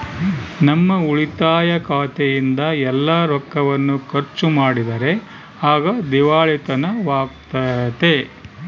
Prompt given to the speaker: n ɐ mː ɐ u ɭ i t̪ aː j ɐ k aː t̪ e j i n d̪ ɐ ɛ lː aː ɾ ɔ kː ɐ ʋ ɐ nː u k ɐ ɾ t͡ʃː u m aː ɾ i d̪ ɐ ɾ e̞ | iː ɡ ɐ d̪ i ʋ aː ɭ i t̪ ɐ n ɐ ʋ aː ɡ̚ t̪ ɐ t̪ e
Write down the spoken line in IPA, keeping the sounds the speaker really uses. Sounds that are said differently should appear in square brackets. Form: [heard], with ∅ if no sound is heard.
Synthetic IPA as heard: n ɐ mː ɐ u ɭ i t̪ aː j ɐ k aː t̪ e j i n d̪ ɐ ɛ lː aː ɾ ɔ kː ɐ ʋ ɐ nː u k ɐ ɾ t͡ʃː u m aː [ɽ] i d̪ ɐ ɾ e̞ | [aː] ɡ ɐ d̪ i ʋ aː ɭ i t̪ ɐ n ɐ ʋ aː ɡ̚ t̪ ɐ t̪ e